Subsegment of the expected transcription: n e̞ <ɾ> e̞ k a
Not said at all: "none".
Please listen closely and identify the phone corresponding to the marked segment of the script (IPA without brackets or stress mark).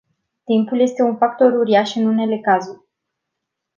l